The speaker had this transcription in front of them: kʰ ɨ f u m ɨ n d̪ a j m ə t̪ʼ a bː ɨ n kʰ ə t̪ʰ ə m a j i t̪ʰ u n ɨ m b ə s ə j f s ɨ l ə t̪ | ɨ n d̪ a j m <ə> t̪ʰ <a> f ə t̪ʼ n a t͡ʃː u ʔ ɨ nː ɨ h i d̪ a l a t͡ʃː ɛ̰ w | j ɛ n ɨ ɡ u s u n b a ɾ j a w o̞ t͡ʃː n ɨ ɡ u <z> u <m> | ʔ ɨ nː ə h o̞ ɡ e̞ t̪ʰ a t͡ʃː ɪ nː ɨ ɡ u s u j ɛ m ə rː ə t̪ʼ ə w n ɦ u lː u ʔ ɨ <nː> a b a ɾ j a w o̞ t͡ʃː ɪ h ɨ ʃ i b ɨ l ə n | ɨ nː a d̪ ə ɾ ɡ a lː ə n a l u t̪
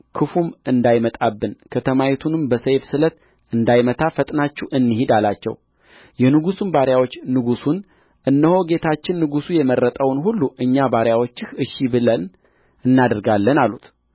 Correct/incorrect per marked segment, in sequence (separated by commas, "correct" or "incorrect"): correct, correct, incorrect, incorrect, incorrect